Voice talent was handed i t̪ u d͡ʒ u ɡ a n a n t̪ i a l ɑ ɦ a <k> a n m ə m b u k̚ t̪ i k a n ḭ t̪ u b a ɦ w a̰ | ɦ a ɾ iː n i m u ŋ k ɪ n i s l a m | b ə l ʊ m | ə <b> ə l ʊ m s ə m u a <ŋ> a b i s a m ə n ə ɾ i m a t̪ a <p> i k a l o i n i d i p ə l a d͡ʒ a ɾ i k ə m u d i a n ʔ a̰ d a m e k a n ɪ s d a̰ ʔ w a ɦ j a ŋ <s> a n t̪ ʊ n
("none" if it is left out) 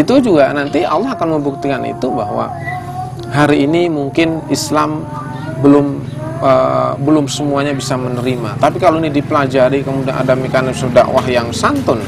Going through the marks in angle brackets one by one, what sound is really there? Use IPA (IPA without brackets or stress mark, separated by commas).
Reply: k, b, ɲ, p, s